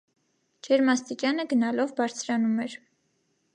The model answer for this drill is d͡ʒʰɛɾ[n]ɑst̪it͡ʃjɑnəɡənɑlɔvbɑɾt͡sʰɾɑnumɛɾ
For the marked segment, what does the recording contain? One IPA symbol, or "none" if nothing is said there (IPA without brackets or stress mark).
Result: m